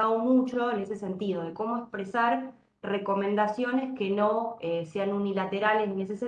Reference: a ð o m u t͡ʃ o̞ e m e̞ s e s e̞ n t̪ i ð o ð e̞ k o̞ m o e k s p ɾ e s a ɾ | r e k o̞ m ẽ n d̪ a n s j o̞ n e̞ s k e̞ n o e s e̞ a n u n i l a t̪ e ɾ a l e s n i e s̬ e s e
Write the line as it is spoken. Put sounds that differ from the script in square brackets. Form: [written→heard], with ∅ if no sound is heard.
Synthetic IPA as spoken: a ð o m u t͡ʃ o̞ e [m→n] e̞ s e s e̞ n t̪ i ð o ð e̞ k o̞ m o e k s p ɾ e s a ɾ | r e k o̞ m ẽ n d̪ a [n→∅] s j o̞ n e̞ s k e̞ n o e s e̞ a n u n i l a t̪ e ɾ a l e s n i e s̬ e s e

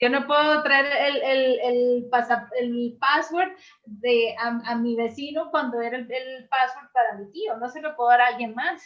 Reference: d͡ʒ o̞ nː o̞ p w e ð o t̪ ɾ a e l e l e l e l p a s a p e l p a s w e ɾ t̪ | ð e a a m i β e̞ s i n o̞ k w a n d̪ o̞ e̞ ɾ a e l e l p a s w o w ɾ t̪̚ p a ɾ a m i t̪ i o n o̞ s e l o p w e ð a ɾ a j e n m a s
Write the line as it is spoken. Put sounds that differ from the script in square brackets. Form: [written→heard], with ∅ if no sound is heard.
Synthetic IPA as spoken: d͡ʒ o̞ [nː→n] o̞ p w e ð o t̪ ɾ a e [l→ɾ] e l e l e l p a s a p e l p a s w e ɾ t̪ | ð e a a m i β e̞ s i n o̞ k w a n d̪ o̞ e̞ ɾ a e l e l p a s w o [w→∅] ɾ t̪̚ p a ɾ a m i t̪ i o n o̞ s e l o p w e ð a ɾ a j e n m a s

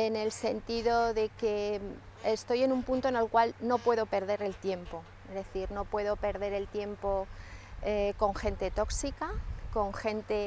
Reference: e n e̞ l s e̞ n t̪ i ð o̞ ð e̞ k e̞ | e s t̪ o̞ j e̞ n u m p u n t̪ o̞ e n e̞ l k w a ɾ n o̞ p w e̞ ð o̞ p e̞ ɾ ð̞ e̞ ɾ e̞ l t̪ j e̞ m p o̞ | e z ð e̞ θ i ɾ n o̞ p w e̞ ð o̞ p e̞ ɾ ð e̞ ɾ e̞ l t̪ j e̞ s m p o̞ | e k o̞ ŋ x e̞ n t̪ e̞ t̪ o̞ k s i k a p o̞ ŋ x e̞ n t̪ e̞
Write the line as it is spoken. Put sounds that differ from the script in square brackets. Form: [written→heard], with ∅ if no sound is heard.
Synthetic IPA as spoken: e n e̞ l s e̞ n t̪ i ð o̞ ð e̞ k e̞ | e s t̪ o̞ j e̞ n u m p u n t̪ o̞ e n e̞ l k w a [ɾ→l] n o̞ p w e̞ ð o̞ p e̞ ɾ ð̞ e̞ ɾ e̞ l t̪ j e̞ m p o̞ | e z ð e̞ θ i ɾ n o̞ p w e̞ ð o̞ p e̞ ɾ ð e̞ ɾ e̞ l t̪ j e̞ [s→∅] m p o̞ | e k o̞ ŋ x e̞ n t̪ e̞ t̪ o̞ k s i k a [p→k] o̞ ŋ x e̞ n t̪ e̞

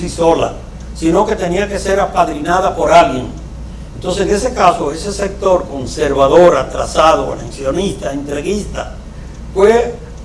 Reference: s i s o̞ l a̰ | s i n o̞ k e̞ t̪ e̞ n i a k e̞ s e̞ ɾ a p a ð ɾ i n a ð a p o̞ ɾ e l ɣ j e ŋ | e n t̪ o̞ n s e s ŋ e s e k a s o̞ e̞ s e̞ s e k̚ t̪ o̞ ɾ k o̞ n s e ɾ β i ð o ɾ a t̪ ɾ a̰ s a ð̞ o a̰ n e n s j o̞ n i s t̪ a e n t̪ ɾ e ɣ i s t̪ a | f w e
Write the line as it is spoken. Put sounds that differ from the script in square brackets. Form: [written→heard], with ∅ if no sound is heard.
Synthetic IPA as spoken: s i s o̞ l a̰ | s i n o̞ k e̞ t̪ e̞ n i a k e̞ s e̞ ɾ a p a ð ɾ i n a ð a p o̞ ɾ [e→a] l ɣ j e ŋ | e n t̪ o̞ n s e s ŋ e s e k a s o̞ e̞ s e̞ s e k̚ t̪ o̞ ɾ k o̞ n s e ɾ β [i→a] ð o ɾ a t̪ ɾ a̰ s a ð̞ o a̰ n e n s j o̞ n i s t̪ a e n t̪ ɾ e ɣ i s t̪ a | f w e

